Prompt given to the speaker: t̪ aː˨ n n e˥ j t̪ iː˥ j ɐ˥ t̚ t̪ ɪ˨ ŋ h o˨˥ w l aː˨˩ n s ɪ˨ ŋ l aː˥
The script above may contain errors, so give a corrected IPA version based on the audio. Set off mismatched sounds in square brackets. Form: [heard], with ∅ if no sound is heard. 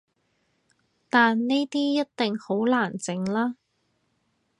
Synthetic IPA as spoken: t̪ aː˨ n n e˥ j t̪ iː˥ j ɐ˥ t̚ t̪ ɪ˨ ŋ h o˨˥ w l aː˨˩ n [t͡s] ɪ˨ ŋ l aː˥